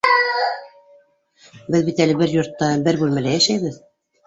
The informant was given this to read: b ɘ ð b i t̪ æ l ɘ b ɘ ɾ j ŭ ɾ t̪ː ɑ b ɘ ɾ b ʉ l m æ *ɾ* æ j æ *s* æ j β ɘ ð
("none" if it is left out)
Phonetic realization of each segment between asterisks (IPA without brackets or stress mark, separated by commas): l, ʃ